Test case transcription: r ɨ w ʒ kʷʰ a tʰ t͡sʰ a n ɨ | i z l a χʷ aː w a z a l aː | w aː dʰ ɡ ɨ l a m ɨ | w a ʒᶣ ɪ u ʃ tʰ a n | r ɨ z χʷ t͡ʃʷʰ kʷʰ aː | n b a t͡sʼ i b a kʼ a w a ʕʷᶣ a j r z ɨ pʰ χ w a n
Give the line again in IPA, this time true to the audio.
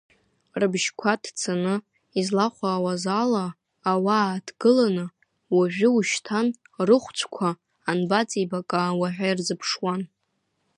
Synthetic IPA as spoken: r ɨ b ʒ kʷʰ a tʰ t͡sʰ a n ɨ | i z l a χʷ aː w a z a l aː | w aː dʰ ɡ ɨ l a n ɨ | w a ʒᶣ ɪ u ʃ tʰ a n | r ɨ χʷ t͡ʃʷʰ kʷʰ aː | n b a t͡sʼ i b a kʼ a w a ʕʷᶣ a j r z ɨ pʰ ʂ w a n

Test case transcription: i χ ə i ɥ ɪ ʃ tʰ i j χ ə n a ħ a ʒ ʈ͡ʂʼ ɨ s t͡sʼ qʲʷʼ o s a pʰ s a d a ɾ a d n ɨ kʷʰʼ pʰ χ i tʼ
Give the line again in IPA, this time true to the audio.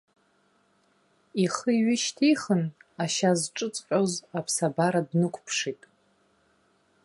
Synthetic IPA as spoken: i χ ə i ɥ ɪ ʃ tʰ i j χ ə n a ʃ a z ʈ͡ʂʼ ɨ t͡sʼ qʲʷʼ o z a pʰ s a b a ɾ a d n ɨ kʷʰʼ pʰ ʂ i tʼ

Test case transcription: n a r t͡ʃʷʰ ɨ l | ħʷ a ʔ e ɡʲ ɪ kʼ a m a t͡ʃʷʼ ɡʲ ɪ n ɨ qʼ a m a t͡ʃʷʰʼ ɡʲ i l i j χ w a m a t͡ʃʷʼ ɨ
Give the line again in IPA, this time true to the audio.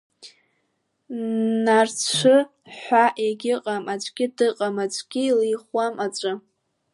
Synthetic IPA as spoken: n a r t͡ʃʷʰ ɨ | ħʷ a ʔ e ɡʲ ɪ qʼ a m a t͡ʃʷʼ ɡʲ ɪ d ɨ qʼ a m a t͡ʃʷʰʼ ɡʲ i l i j χ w a m a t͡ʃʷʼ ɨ

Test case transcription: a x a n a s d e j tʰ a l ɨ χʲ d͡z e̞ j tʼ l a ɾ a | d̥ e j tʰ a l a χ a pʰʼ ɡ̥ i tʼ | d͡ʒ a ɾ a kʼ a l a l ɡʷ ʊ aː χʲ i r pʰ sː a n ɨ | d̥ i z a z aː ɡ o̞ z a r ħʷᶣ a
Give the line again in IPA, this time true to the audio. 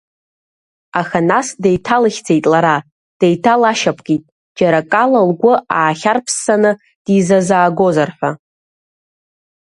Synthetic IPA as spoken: a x a n a s d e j tʰ a l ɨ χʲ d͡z e̞ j tʼ l a ɾ a | d̥ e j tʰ a l a ʃ a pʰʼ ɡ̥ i tʼ | d͡ʒ a ɾ a kʼ a l a l ɡʷ ʊ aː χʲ a r pʰ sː a n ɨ | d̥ i z a z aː ɡ o̞ z a r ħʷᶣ a

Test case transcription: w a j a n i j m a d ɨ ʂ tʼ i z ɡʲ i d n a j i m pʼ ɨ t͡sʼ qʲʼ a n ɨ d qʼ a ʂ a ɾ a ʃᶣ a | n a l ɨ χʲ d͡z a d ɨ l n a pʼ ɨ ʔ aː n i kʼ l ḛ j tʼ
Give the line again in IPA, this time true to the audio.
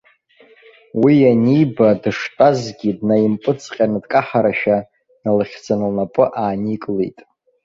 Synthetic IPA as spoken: w i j a n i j b a d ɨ ʂ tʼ a z ɡʲ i d n a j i m pʼ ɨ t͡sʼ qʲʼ a n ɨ d kʼ a ħ a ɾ a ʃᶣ a | n a l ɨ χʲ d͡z a n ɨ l n a pʼ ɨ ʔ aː n i kʼ l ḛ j tʼ

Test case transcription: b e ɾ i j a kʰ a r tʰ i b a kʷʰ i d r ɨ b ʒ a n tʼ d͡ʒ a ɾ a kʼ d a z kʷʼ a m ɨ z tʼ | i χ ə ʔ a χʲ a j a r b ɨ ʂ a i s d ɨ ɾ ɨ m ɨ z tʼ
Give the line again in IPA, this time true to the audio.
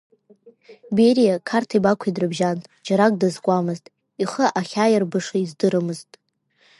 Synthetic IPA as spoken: b e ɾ i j a kʰ a r tʰ i b a kʷʰ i d r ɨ b ʒ a n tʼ d͡ʒ a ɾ a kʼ d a z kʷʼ a m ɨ z tʼ | i χ ə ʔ a χʲ a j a r b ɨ ʂ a i z d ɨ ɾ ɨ m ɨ z tʼ

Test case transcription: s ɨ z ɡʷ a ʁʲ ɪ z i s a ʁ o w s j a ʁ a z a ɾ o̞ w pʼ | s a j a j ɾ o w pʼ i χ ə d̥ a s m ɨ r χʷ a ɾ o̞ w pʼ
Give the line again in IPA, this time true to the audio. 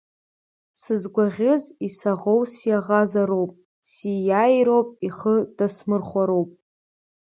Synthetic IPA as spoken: s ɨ z ɡʷ a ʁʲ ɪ z i s a ʁ o w s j a ʁ a z a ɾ o̞ w pʼ | s i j a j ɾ o w pʼ i χ ə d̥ a s m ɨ r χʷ a ɾ o̞ w pʼ

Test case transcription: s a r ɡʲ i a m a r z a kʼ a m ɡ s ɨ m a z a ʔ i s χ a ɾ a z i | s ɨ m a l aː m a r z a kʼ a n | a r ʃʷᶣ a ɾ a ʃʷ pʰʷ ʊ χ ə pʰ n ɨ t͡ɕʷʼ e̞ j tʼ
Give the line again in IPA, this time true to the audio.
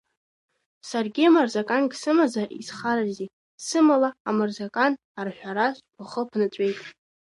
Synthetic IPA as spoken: s a r ɡʲ i a m a r z a kʼ a n ɡ s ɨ m a z a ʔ i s χ a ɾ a z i | s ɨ m a l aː m a r z a kʼ a n | a r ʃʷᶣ a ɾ a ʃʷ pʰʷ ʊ χ ə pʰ n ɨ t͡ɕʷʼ e̞ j tʼ

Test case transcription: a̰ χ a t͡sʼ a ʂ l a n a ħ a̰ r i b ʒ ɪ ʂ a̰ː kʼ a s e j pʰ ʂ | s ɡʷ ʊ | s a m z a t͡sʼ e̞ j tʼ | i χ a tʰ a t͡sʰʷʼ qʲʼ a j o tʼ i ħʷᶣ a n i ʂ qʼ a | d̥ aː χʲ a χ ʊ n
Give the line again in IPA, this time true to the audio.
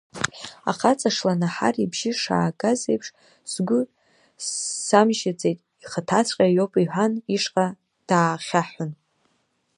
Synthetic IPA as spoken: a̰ χ a t͡sʼ a ʂ l a n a ħ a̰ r i b ʒ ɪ ʂ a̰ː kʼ a z e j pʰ ʂ | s ɡʷ ʊ | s a m ʒ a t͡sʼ e̞ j tʼ | i χ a tʰ a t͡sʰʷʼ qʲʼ a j o pʼ i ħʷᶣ a n i ʂ qʼ a | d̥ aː χʲ a ħ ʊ n

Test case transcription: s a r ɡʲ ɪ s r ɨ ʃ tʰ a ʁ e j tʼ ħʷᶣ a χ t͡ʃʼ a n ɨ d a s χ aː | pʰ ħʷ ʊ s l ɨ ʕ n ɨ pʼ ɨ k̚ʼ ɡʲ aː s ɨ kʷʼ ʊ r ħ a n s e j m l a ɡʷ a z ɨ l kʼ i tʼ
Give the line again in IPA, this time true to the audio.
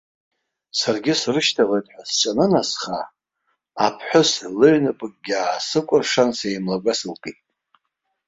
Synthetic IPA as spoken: s a r ɡʲ ɪ s r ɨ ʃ tʰ a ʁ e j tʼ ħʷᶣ a s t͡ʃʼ a n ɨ n a s χ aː | pʰ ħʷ ʊ s l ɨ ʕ n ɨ pʼ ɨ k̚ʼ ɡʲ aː s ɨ kʷʼ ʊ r ʂ a n s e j m l a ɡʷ a s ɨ l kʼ i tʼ

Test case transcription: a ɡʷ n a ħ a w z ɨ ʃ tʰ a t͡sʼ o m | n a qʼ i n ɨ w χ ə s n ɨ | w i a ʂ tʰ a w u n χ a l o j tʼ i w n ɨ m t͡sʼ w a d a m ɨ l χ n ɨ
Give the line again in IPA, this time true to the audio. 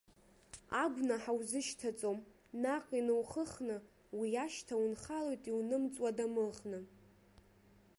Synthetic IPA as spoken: a ɡʷ n a ħ a w z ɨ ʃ tʰ a t͡sʼ o m | n a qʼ i n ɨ w χ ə χ n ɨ | w i a ʃ tʰ a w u n χ a l o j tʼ i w n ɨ m t͡sʼ w a d a m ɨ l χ n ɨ

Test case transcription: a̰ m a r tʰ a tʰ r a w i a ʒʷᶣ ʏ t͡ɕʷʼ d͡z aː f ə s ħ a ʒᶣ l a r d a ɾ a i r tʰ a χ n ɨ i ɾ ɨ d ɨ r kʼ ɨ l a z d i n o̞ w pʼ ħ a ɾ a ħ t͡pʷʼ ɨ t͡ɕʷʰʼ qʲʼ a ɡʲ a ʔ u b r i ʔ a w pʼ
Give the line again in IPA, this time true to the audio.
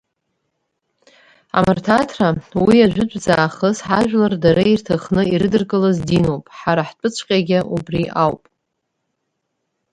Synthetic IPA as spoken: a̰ m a r tʰ a tʰ r a w i a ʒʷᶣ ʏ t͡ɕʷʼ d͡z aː χ ə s ħ a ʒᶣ l a r d a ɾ a i r tʰ a χ n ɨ i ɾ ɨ d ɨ r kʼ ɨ l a z d i n o̞ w pʼ ħ a ɾ a ħ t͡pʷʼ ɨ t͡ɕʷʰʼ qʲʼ a ɡʲ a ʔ u b r i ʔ a w pʼ

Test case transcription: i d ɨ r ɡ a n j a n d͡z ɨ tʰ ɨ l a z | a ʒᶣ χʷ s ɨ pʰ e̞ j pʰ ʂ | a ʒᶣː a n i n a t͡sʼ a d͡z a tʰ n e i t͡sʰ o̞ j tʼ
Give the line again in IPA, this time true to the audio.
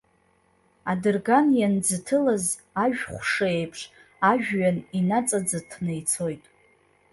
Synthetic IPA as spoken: a d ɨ r ɡ a n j a n d͡z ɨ tʰ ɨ l a z | a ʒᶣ χʷ ʂ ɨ e̞ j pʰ ʂ | a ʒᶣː a n i n a t͡sʼ a d͡z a tʰ n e j t͡sʰ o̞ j tʼ

